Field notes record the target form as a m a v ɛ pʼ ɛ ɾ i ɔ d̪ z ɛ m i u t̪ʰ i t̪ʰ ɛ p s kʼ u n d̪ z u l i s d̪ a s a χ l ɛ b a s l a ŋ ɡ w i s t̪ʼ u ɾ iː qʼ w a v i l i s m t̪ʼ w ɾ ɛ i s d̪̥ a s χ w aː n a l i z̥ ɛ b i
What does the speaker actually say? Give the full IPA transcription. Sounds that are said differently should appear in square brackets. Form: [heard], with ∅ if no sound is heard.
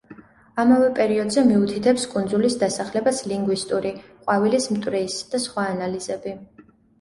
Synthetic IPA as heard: a m a v ɛ pʼ ɛ ɾ i ɔ d̪ z ɛ m i u t̪ʰ i t̪ʰ ɛ p s kʼ u n d̪ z u l i s d̪ a s a χ l ɛ b a s l [i] ŋ ɡ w i s t̪ʼ u ɾ [i] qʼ w a v i l i s m t̪ʼ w ɾ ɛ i s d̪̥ a s χ w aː n a l i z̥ ɛ b i